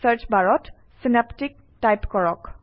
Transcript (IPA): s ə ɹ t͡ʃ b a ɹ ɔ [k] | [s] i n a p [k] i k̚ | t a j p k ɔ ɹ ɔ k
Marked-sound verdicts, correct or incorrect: incorrect, correct, incorrect

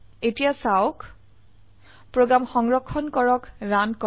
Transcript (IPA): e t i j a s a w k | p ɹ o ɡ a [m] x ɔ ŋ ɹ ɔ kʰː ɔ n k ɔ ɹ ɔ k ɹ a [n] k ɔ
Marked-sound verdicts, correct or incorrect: correct, correct

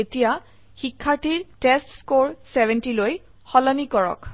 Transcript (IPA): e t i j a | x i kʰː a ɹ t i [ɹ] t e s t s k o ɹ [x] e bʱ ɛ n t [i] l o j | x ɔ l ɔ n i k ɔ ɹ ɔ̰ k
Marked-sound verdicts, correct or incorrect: correct, incorrect, correct

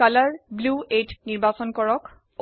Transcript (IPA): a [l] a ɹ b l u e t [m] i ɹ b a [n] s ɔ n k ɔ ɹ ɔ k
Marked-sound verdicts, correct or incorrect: correct, incorrect, incorrect

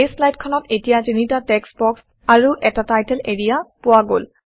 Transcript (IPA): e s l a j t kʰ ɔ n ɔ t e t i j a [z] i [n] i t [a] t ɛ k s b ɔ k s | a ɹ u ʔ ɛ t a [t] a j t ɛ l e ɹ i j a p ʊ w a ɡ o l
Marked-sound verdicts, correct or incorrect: correct, correct, correct, correct

